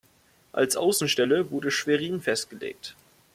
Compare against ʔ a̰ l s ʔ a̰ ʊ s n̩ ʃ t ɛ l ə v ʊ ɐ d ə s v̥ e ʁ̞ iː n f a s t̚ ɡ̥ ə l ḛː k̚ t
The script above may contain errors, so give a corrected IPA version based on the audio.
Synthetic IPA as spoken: ʔ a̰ l s ʔ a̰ ʊ s n̩ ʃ t ɛ l ə v ʊ ɐ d ə ʃ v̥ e ʁ̞ iː n f ɛ s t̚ ɡ̥ ə l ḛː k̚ t